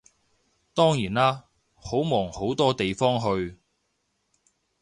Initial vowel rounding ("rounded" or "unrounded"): rounded